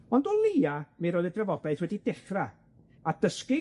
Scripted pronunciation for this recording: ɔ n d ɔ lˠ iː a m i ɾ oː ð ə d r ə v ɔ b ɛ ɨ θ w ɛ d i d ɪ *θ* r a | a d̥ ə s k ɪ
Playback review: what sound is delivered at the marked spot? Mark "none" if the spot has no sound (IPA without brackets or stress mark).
χ